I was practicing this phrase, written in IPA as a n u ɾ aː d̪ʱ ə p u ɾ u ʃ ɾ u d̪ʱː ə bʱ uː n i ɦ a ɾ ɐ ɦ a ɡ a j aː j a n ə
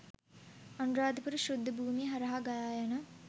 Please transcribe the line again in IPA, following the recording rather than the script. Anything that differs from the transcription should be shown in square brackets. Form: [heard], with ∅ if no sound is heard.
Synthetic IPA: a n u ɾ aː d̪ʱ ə p u ɾ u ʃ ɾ u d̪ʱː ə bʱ uː [m] i ɦ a ɾ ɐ ɦ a ɡ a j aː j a n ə